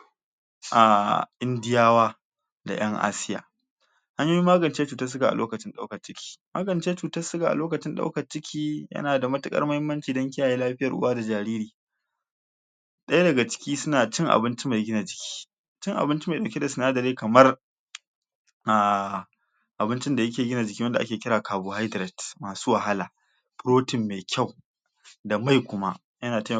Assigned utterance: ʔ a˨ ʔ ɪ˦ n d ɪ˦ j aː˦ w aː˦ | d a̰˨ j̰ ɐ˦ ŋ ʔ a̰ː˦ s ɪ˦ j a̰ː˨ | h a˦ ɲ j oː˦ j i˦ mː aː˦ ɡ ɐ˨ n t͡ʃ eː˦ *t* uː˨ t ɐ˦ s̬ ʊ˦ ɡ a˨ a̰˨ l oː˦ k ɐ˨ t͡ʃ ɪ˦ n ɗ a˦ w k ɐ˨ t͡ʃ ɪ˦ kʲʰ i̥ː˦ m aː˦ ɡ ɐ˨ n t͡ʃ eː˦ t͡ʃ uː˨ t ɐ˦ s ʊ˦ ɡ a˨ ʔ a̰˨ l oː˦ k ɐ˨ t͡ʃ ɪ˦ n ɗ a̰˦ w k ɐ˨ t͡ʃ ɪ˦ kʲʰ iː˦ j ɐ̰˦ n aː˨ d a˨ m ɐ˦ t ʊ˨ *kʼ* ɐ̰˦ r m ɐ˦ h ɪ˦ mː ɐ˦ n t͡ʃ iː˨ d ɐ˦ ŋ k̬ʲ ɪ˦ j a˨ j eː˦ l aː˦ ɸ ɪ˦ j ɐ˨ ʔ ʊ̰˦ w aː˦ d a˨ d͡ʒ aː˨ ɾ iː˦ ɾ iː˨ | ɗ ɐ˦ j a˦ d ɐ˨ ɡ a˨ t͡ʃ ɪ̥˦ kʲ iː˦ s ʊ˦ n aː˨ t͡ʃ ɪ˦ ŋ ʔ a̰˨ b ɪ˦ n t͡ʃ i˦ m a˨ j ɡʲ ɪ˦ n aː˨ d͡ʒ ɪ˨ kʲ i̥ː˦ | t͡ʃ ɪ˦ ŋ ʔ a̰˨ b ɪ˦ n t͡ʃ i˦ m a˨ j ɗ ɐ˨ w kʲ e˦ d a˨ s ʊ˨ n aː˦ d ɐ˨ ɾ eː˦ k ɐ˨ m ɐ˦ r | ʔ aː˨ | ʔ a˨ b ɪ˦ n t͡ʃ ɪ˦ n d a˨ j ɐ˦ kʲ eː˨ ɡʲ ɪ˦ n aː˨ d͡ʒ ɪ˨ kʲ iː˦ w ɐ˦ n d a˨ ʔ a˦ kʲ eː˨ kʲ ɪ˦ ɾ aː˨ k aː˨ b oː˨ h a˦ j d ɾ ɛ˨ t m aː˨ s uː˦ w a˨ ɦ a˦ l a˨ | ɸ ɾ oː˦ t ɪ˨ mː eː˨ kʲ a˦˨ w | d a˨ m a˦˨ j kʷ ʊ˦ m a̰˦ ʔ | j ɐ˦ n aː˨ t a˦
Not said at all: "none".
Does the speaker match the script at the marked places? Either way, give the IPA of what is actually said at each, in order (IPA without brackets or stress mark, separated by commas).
t͡ʃ, kʼ